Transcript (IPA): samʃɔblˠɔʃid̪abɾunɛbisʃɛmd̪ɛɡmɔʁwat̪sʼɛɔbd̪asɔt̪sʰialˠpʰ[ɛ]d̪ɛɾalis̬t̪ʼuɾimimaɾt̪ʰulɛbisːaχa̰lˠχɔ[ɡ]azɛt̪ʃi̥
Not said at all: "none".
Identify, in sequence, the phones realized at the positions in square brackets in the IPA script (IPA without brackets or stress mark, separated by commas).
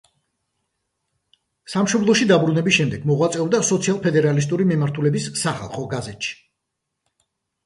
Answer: ɛ, ɡ